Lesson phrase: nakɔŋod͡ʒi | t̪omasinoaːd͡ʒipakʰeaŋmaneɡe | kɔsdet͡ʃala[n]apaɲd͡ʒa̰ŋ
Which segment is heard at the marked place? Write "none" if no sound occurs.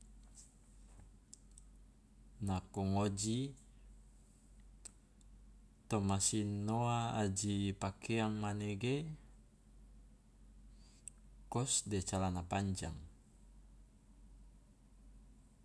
n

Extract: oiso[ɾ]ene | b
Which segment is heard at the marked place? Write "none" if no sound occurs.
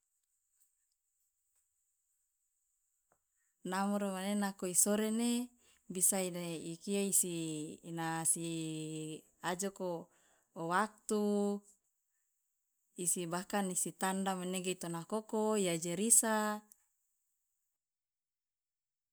ɾ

